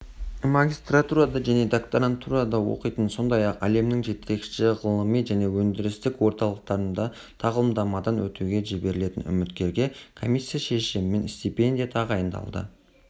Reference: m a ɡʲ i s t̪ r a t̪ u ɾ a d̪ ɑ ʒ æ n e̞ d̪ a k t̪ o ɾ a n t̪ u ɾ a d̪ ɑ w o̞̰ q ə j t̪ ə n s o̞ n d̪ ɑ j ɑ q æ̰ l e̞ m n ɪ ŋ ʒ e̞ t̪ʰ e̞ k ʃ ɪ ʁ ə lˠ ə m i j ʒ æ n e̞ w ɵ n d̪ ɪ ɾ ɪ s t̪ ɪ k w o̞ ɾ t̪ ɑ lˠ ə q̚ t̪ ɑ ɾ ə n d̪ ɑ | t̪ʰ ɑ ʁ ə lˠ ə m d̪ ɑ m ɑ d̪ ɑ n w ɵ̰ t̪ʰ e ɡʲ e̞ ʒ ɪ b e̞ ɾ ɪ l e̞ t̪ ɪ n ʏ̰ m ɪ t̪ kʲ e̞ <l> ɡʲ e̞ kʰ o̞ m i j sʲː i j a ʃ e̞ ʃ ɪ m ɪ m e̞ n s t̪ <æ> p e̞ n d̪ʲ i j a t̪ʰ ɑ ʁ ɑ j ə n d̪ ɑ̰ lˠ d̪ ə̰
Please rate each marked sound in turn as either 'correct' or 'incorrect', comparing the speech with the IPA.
incorrect: ɾ, incorrect: i

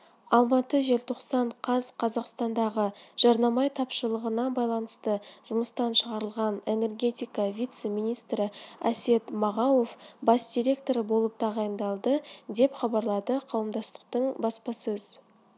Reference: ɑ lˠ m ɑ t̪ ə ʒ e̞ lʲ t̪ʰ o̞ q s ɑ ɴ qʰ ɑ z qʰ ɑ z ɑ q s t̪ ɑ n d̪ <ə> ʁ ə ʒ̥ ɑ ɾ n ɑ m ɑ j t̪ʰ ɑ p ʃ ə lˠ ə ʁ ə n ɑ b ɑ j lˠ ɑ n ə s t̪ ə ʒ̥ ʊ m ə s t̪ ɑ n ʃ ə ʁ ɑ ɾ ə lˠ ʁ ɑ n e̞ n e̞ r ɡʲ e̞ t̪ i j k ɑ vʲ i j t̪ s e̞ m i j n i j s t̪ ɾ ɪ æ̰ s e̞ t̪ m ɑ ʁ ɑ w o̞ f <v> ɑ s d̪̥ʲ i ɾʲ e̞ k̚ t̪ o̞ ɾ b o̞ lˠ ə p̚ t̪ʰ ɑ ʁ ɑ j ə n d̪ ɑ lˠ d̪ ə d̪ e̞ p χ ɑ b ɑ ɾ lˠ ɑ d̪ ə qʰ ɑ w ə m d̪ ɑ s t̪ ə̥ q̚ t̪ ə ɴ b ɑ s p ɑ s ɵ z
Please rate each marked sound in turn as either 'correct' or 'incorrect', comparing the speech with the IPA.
incorrect: ɑ, incorrect: b

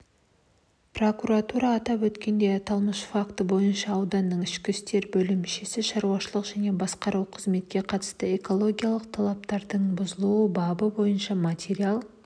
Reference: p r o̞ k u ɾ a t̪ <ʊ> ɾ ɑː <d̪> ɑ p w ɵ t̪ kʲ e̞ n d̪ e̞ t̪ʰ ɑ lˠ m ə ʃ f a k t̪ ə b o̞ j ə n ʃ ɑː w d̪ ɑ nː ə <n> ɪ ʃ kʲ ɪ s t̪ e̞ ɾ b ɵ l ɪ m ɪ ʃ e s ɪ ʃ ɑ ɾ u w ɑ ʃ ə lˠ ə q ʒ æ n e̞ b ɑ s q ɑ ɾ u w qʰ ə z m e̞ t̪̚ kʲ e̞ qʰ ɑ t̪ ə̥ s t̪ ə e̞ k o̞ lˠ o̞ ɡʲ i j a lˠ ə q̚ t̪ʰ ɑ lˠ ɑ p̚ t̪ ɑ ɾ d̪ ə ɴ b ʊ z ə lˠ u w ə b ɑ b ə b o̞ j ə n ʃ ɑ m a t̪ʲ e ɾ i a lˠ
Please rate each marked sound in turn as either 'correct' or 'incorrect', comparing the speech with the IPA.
incorrect: u, incorrect: t̪, incorrect: ɴ

